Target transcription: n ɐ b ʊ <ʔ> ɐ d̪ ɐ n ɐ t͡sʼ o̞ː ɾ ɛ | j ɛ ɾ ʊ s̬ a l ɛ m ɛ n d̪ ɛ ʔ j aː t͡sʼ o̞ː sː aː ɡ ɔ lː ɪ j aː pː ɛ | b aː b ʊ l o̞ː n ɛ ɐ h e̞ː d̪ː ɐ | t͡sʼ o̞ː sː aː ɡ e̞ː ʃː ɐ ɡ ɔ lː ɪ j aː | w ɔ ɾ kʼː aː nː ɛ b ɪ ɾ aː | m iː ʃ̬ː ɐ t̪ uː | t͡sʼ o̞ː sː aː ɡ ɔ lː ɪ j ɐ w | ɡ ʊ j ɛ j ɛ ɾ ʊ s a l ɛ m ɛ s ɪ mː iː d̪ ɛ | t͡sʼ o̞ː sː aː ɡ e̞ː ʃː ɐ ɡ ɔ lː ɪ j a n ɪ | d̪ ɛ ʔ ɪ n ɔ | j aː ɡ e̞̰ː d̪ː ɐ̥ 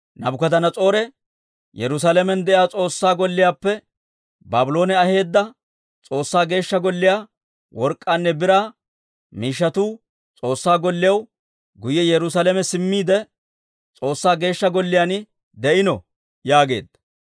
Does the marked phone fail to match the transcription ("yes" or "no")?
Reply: yes